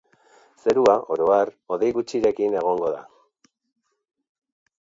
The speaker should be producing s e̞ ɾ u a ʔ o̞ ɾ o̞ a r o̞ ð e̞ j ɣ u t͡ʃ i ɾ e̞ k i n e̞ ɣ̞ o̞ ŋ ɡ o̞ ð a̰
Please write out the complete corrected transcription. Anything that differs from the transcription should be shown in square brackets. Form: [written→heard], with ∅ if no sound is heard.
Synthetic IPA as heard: s e̞ ɾ u a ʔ o̞ ɾ o̞ a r o̞ ð e̞ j ɣ u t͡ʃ i ɾ e̞ k i n e̞ ɣ̞ o̞ ŋ ɡ o̞ ð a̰